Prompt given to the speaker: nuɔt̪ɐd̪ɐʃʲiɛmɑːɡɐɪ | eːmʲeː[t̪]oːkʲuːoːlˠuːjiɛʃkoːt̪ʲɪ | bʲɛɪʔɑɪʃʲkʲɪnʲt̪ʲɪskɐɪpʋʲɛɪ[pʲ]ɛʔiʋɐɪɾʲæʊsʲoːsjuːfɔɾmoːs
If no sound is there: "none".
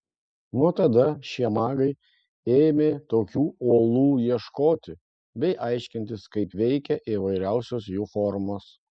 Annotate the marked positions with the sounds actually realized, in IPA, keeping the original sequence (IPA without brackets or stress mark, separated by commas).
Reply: t̪, kʲ